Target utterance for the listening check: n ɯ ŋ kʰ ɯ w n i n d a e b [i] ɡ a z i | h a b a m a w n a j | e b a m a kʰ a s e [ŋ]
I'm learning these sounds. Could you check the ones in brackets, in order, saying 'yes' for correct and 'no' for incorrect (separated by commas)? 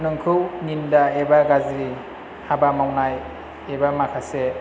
no, no